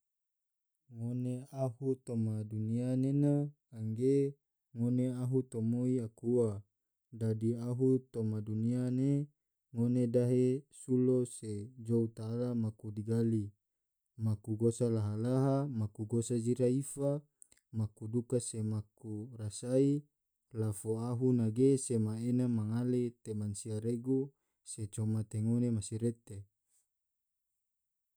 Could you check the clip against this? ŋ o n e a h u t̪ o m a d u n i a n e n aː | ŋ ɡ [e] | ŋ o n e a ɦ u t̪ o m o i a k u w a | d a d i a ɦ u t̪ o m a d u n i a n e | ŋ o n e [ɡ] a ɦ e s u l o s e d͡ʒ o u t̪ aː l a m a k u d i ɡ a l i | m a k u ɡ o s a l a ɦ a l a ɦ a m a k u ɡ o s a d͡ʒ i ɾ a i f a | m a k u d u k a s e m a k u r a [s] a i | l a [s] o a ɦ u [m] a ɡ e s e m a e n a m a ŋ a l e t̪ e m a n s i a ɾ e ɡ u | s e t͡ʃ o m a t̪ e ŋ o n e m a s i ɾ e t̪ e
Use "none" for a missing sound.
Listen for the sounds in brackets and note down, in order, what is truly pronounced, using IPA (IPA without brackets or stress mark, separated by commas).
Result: e, d, s, f, n